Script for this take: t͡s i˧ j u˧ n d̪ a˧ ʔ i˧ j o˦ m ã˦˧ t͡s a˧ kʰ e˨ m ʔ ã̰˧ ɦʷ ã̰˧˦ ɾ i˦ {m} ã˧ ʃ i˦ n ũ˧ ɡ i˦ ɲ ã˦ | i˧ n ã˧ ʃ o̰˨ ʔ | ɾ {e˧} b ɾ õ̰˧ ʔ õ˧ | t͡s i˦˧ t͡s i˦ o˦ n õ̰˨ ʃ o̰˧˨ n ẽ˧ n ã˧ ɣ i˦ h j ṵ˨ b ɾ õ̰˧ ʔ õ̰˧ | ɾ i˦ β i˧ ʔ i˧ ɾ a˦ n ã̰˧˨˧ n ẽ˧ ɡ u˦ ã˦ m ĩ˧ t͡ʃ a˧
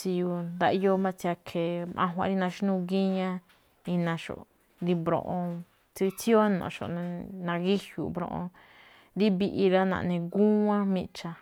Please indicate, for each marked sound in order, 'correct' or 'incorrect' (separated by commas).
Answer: incorrect, incorrect